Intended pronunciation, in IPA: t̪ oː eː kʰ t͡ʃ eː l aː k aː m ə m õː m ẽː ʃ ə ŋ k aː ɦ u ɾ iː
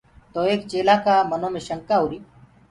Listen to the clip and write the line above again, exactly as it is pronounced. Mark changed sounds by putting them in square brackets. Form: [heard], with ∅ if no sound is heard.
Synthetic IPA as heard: t̪ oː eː [k] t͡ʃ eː l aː k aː m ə [n] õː m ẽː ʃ ə ŋ k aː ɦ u ɾ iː